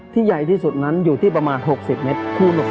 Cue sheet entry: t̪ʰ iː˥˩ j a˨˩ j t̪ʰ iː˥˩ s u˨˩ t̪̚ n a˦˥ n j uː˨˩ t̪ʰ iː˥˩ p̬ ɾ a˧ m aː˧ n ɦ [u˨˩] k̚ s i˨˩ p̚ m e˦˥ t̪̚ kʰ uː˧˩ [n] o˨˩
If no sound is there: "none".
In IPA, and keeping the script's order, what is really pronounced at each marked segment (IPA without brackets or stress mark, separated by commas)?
o˨˩, n